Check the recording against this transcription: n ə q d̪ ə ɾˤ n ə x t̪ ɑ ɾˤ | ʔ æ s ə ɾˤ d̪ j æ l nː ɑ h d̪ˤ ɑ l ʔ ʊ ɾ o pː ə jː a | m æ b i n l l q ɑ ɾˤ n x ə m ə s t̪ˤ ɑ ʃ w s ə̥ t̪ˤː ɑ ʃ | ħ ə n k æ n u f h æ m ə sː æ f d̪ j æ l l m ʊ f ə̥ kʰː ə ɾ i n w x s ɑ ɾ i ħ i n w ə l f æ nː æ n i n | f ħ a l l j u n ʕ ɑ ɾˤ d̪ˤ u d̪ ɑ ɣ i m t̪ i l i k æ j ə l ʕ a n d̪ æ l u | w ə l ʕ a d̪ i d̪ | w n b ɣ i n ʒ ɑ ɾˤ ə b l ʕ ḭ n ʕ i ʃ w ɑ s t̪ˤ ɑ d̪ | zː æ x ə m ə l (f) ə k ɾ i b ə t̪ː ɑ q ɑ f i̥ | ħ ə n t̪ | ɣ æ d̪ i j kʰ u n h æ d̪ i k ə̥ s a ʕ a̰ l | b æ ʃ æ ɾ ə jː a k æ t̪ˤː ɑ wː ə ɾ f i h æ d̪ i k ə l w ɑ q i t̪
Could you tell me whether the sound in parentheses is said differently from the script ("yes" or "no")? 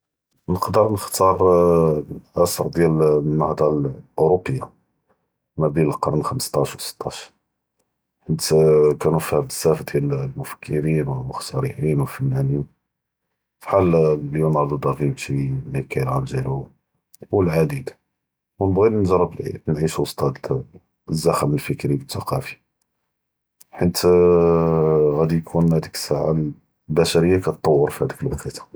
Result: no